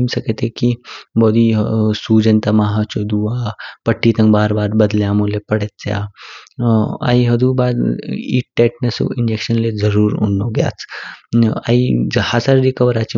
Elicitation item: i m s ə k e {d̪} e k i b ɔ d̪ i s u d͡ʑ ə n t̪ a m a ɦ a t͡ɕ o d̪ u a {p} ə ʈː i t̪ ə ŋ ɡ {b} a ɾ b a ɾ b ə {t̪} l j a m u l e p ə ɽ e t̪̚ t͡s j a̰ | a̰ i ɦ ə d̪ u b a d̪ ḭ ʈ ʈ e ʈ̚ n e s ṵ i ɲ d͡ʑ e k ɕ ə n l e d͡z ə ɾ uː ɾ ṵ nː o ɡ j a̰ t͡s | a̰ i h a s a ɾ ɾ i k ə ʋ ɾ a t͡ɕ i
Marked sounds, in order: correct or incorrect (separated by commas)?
incorrect, correct, correct, incorrect